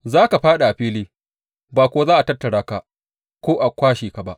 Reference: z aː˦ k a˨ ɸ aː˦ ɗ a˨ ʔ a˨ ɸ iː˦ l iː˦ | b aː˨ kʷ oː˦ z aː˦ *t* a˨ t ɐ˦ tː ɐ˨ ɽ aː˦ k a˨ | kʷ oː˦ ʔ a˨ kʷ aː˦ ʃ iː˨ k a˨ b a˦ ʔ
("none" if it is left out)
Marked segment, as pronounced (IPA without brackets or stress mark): ʔ